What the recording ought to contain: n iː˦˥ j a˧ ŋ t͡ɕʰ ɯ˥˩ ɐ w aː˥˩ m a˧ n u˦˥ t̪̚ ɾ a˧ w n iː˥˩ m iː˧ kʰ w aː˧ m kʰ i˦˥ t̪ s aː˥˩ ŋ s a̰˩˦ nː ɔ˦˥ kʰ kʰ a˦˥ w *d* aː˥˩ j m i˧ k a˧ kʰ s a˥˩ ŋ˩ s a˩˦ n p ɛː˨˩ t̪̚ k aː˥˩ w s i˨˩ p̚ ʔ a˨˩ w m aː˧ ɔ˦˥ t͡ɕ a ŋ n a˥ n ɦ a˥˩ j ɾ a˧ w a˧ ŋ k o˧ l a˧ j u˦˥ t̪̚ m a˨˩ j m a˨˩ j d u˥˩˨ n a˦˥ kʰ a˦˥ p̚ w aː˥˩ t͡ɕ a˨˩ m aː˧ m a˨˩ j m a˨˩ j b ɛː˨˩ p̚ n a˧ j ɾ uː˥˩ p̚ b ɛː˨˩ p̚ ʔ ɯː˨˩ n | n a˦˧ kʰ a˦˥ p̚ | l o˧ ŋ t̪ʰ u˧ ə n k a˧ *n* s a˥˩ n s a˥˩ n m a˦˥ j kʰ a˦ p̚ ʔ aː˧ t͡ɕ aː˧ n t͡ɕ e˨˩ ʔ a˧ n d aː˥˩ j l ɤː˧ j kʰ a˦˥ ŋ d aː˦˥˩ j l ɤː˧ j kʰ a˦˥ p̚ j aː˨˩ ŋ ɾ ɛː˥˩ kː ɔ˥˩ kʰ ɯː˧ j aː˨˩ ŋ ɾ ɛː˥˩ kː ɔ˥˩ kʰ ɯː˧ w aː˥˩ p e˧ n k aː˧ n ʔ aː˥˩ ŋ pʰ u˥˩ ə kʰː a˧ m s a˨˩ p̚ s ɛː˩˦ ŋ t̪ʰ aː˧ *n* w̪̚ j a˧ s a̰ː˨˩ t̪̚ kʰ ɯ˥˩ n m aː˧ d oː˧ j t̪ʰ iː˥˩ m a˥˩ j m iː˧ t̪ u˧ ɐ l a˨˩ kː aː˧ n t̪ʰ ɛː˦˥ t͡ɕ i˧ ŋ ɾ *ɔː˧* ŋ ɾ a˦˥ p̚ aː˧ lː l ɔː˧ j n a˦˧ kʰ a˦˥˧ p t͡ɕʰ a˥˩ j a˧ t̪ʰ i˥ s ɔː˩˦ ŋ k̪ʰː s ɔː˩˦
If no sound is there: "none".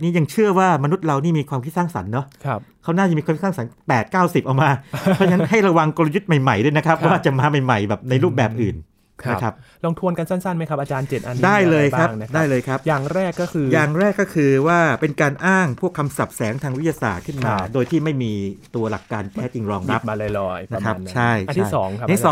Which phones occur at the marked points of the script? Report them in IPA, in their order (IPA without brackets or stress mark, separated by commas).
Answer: n, n, ŋ, ɔː˧